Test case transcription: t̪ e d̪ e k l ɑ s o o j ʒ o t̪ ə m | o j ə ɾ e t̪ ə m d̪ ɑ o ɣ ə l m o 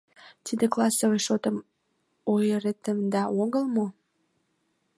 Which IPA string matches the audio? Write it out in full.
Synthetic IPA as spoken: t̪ i d̪ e k l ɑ s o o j ʃ o t̪ ə m | o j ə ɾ e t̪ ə m d̪ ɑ o ɣ ə l m o